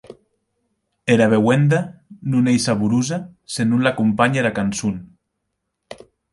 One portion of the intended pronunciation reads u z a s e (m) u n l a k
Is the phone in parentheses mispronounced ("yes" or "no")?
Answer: yes